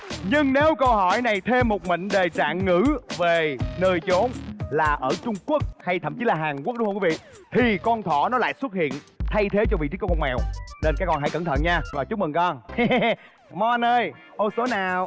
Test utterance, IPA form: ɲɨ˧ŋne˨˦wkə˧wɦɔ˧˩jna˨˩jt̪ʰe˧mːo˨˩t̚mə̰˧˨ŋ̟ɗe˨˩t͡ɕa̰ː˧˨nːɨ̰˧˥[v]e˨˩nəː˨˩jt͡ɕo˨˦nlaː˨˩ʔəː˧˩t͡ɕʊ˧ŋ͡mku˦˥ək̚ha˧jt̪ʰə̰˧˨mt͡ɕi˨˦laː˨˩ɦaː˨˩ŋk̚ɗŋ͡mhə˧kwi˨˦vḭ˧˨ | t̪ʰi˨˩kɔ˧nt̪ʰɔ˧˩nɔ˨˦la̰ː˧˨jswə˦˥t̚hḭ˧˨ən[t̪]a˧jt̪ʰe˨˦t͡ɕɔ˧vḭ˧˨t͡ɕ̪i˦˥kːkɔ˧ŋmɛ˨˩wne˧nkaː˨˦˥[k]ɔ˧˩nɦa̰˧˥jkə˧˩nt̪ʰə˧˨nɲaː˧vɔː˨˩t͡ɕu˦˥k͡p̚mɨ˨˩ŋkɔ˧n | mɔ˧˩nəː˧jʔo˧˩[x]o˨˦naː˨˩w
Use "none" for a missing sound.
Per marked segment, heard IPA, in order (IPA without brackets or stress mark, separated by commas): v, t̪ʰ, k, s